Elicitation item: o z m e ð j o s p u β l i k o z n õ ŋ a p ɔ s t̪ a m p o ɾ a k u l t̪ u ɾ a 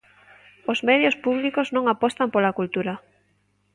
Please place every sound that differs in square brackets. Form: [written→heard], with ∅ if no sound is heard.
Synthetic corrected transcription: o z m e ð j o s p u β l i k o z n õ ŋ a p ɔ s t̪ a m p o [ɾ→l] a k u l t̪ u ɾ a